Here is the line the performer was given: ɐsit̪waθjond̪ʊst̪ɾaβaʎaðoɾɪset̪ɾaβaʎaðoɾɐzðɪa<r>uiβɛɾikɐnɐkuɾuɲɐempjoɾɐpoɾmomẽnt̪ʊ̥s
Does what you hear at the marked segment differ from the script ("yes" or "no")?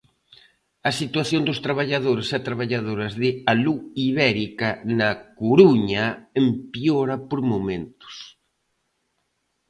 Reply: yes